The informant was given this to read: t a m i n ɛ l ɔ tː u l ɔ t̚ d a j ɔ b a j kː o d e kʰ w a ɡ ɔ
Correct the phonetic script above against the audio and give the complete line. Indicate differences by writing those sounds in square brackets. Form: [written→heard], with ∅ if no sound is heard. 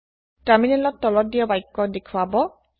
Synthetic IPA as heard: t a m i n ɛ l ɔ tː [u→ɔ] l ɔ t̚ d [a→i] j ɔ b a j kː [o→ɔ] d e kʰ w a [ɡ→b] ɔ